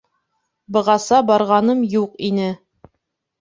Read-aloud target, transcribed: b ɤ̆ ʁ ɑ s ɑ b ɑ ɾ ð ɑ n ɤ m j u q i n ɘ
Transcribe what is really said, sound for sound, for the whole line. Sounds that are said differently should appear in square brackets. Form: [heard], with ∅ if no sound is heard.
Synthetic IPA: b ɤ̆ ʁ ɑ s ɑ b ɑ ɾ [ʁ] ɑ n ɤ m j u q i n ɘ